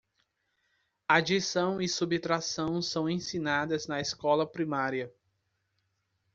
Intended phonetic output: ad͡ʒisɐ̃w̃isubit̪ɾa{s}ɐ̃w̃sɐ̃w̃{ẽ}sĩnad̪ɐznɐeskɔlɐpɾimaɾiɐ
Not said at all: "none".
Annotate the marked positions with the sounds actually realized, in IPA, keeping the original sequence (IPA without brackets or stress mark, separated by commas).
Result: s, ẽ